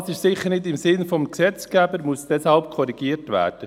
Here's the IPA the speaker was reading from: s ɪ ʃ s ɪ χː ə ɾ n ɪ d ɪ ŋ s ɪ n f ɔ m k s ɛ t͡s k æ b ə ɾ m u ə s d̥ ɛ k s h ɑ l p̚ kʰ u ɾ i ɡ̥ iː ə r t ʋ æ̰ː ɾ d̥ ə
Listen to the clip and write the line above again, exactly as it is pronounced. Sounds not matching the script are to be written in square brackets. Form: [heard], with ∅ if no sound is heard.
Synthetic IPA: s ɪ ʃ s ɪ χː ə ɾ n ɪ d ɪ [m] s ɪ n f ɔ m k s ɛ t͡s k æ b ə ɾ m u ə s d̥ ɛ [∅] s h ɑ l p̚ kʰ [ɔ] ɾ i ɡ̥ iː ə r t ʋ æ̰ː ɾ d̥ ə